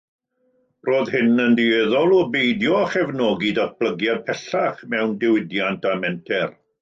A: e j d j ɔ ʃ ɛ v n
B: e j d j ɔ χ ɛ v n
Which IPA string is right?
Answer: B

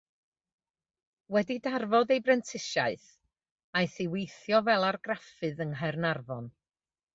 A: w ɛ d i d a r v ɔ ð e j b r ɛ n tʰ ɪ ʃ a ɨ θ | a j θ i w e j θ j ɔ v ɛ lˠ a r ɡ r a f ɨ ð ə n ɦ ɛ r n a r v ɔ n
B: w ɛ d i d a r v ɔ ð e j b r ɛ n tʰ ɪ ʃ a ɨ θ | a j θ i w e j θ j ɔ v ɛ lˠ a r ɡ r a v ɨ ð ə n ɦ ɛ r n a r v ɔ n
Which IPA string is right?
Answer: A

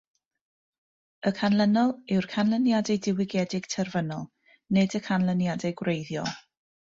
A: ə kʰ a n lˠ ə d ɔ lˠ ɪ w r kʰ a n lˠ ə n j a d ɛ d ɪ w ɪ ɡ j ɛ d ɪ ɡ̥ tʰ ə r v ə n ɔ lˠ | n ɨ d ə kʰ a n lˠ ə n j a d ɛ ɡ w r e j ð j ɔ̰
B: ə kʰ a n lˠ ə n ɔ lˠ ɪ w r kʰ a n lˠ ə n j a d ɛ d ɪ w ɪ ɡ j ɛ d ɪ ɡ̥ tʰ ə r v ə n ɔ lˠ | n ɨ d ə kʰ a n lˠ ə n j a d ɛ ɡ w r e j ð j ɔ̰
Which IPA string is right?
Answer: B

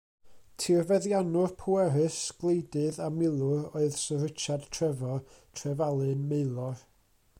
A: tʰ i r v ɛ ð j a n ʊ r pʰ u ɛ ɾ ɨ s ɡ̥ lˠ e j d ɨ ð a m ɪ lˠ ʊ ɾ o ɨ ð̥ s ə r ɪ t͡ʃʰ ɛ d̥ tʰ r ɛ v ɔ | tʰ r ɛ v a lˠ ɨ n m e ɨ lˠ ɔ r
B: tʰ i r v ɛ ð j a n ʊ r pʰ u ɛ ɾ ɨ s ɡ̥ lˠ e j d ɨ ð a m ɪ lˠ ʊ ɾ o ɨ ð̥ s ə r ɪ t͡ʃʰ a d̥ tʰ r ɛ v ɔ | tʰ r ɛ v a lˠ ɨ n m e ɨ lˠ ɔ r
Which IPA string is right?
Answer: B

